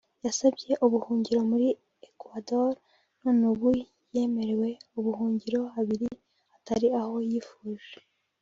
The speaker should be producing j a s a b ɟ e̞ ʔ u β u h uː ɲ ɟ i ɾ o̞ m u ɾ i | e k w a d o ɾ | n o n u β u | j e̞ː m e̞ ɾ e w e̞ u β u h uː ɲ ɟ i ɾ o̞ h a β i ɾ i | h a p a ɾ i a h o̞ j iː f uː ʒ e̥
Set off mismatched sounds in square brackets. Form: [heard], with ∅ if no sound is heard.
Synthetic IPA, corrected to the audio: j a s a b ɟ e̞ ʔ u β u h uː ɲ ɟ i ɾ o̞ m u ɾ i | e k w a d o ɾ | n o n u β u | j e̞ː m e̞ ɾ e w e̞ u β u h uː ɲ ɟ i ɾ o̞ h a β i ɾ i | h a [t] a ɾ i a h o̞ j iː f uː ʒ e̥